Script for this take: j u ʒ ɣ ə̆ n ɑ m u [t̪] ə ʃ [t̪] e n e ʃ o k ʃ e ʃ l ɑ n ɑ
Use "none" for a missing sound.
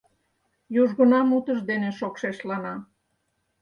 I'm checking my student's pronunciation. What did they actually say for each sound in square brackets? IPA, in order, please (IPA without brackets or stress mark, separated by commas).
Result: t̪, d̪